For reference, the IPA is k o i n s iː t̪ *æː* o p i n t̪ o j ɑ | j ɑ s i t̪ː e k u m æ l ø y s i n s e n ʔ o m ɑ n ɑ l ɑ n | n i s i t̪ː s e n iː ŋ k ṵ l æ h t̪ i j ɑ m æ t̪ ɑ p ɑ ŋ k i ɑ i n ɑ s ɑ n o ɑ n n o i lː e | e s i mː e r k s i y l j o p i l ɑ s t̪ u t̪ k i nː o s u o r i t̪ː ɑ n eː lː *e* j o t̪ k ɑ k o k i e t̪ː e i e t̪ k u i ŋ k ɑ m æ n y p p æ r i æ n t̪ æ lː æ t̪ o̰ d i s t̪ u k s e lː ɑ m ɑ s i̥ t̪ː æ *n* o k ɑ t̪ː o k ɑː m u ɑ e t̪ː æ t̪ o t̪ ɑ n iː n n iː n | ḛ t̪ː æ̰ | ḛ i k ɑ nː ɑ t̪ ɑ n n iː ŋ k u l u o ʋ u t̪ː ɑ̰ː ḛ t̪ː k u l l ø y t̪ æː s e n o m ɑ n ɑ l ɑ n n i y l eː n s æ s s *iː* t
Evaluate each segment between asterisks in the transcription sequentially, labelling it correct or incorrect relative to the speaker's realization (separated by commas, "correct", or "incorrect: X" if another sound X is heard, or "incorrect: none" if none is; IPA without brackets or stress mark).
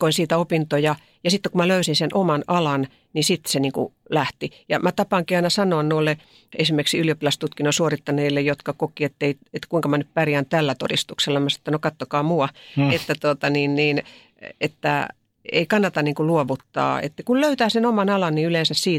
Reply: incorrect: æ, correct, correct, correct